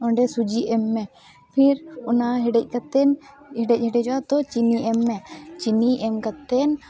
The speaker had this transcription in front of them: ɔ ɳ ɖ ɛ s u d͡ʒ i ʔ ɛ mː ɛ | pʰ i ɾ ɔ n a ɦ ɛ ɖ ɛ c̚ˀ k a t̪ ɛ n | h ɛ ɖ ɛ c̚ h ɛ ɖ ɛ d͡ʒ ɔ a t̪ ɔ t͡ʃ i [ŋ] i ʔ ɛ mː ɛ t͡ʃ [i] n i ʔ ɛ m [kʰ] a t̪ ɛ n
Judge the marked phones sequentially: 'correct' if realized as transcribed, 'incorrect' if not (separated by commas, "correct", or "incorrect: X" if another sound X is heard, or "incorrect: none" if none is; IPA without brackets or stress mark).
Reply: incorrect: n, correct, incorrect: k